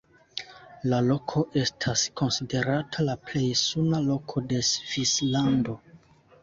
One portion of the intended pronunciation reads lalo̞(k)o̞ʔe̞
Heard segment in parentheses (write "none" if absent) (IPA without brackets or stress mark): kʰ